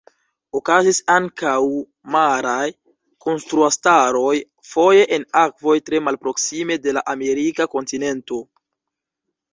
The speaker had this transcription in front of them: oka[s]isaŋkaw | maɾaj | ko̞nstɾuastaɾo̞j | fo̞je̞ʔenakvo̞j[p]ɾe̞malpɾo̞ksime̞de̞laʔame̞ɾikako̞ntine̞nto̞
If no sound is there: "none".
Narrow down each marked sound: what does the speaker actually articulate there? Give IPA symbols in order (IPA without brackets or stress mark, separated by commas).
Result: z, t